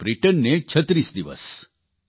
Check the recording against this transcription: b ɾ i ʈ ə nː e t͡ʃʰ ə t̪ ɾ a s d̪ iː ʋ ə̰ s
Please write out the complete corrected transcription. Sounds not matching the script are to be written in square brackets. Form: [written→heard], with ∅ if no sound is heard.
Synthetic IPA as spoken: b ɾ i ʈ ə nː e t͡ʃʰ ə t̪ ɾ [a→i] s d̪ [iː→i] ʋ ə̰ s

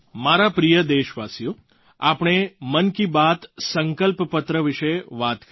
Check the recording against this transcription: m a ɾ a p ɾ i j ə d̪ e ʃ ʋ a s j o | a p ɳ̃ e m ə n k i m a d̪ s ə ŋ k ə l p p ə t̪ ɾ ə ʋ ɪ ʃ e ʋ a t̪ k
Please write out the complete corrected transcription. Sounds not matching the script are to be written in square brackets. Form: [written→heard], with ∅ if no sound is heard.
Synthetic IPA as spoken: m a ɾ a p ɾ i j ə d̪ e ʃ ʋ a s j o | a p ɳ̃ e m ə n k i [m→b] a [d̪→t̪] s ə ŋ k ə l p p ə t̪ ɾ ə ʋ ɪ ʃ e ʋ a t̪ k

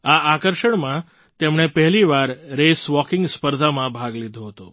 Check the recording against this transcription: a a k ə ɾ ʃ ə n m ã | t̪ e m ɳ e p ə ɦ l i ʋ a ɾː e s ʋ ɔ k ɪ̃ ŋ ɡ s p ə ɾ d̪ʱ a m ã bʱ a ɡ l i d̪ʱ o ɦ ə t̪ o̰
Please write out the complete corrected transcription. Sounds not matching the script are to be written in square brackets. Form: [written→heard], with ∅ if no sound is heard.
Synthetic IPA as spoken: a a k ə ɾ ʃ ə [n→ɳ] m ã | t̪ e m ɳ e p ə ɦ l i ʋ a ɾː e s ʋ ɔ k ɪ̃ ŋ ɡ s p ə ɾ d̪ʱ a m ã bʱ a ɡ l i d̪ʱ o ɦ ə t̪ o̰

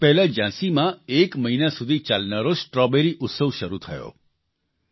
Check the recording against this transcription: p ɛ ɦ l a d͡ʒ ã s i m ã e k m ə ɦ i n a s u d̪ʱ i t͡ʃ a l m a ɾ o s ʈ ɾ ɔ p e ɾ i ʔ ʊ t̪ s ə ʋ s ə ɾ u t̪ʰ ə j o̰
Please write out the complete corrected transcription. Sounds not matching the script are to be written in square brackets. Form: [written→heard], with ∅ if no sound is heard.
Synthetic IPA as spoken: p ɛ ɦ l a d͡ʒ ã s i m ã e k m ə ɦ i n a s u d̪ʱ i t͡ʃ a l [m→n] a ɾ o s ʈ ɾ ɔ [p→b] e ɾ i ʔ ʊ t̪ s ə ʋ [s→ʃ] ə ɾ u t̪ʰ ə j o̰

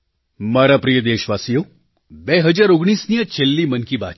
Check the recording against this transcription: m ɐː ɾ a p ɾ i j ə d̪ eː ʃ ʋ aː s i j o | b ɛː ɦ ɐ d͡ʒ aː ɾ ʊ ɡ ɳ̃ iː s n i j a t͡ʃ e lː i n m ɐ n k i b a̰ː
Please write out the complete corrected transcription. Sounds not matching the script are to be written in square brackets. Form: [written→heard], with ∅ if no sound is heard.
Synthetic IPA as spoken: m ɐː ɾ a p ɾ i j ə d̪ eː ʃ ʋ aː s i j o | b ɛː ɦ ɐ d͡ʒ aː ɾ ʊ ɡ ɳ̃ iː s n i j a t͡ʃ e lː i [n→∅] m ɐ n k i b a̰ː

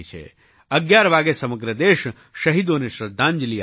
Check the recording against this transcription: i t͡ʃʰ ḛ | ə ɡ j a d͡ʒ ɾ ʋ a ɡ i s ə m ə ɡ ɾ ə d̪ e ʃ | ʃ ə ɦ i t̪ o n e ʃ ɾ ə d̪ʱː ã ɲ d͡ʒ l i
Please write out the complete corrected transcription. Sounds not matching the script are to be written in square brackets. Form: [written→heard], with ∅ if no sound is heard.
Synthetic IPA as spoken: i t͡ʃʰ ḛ | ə ɡ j a [d͡ʒ→∅] ɾ ʋ a ɡ [i→e] s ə m ə ɡ ɾ ə d̪ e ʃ | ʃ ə ɦ i [t̪→d̪] o n e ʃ ɾ ə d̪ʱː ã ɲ d͡ʒ l i

